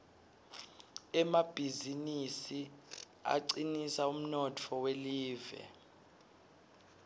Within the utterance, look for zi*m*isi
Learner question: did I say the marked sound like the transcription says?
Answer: no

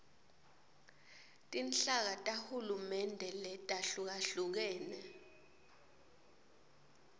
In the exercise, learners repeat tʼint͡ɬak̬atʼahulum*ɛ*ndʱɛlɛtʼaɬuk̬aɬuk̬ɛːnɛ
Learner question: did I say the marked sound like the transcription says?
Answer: yes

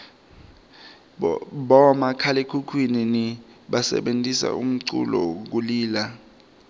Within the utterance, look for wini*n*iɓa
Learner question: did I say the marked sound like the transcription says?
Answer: yes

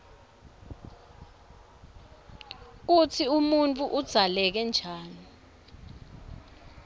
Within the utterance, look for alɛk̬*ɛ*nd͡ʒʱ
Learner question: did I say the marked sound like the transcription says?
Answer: yes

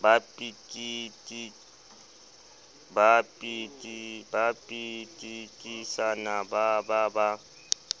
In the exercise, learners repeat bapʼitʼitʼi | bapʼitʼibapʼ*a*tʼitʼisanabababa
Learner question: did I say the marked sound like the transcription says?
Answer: no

